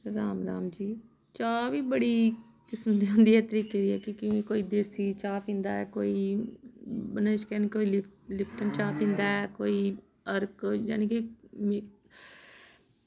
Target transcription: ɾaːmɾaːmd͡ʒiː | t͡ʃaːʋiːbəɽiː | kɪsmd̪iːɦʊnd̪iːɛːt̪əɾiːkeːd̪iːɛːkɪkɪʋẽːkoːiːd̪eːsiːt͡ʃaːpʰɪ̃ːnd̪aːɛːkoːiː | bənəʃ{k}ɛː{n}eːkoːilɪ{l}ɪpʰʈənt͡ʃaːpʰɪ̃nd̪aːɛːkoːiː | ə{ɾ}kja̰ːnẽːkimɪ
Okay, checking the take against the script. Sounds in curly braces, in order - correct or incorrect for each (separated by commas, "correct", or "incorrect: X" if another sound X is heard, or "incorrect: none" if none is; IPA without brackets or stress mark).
correct, correct, correct, correct